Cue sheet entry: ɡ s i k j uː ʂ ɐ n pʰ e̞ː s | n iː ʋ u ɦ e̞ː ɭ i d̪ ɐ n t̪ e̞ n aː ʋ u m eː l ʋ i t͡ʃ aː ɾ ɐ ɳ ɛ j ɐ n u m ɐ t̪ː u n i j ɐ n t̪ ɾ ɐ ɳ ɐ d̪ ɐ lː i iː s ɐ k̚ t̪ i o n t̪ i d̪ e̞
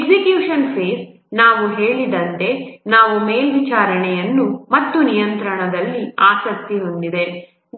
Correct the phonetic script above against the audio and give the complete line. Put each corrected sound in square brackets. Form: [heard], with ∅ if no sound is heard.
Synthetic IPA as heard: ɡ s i k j uː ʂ ɐ n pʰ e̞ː s | n [aː] ʋ u ɦ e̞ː ɭ i d̪ ɐ n t̪ e̞ n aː ʋ u m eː l ʋ i t͡ʃ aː ɾ ɐ ɳ ɛ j ɐ [nː] u m ɐ t̪ː u n i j ɐ n t̪ ɾ ɐ ɳ ɐ d̪ ɐ lː i [aː] s ɐ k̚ t̪ i o n [d̪] i d̪ e̞

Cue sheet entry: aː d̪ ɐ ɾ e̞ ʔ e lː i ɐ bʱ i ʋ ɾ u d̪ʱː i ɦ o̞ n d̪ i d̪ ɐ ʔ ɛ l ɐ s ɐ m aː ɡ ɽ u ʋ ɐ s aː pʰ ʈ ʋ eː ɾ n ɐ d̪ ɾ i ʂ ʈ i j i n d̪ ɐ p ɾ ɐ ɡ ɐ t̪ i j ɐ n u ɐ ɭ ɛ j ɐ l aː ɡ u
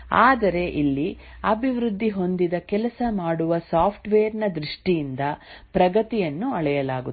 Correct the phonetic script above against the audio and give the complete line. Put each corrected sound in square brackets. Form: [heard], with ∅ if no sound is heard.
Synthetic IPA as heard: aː d̪ ɐ ɾ e̞ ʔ [i] lː i ɐ bʱ i ʋ ɾ u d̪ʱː i ɦ o̞ n d̪ i d̪ ɐ [k] ɛ l ɐ s ɐ m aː [∅] ɽ u ʋ ɐ s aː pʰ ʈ ʋ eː ɾ n ɐ d̪ ɾ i ʂ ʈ i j i n d̪ ɐ p ɾ ɐ ɡ ɐ t̪ i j ɐ [nː] u ɐ ɭ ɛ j ɐ l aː ɡ u

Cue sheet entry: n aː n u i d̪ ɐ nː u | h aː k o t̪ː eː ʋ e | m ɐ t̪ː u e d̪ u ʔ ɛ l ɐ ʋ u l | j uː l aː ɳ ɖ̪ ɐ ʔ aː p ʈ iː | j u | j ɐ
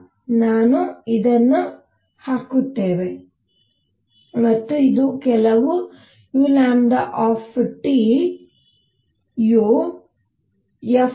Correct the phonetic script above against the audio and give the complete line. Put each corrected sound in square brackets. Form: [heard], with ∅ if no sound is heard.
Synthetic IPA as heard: n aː n u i d̪ ɐ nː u | h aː k [u] t̪ː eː ʋ e | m ɐ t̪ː u [i] d̪ u [k] ɛ l ɐ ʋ u [∅] | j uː l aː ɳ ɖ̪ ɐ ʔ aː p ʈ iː | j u | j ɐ

